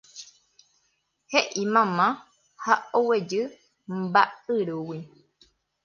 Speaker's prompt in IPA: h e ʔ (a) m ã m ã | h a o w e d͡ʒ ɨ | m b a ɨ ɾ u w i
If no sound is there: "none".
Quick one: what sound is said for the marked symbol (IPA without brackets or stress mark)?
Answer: i